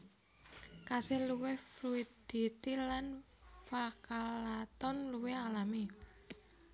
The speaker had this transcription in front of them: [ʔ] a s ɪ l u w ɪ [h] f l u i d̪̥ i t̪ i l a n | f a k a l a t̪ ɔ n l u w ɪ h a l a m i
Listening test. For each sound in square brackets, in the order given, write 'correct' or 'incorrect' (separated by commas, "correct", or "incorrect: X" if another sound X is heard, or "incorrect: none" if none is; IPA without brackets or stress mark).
incorrect: k, correct